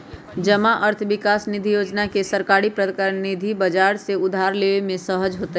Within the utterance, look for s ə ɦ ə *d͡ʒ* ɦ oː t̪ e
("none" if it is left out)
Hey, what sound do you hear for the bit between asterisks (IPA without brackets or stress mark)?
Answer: d͡ʒ